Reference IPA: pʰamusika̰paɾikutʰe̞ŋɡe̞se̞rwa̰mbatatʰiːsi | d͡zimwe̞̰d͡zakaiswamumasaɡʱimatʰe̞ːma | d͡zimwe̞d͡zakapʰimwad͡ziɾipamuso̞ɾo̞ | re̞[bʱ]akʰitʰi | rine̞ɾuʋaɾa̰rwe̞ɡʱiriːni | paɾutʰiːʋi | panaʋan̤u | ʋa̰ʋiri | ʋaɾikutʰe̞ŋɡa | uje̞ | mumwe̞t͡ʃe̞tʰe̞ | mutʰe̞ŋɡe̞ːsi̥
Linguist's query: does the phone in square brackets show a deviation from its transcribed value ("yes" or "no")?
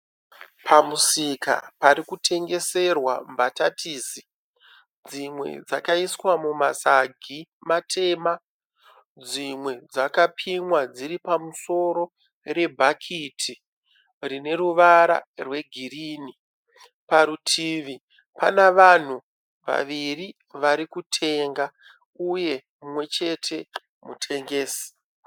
no